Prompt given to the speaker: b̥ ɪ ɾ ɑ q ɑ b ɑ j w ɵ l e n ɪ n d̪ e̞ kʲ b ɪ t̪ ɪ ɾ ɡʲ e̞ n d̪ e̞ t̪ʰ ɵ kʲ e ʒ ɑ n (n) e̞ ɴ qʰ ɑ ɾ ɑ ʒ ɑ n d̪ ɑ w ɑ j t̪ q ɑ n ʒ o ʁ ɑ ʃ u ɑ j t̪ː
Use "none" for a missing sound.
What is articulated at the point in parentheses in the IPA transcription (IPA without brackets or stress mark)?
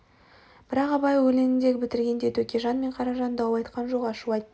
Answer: m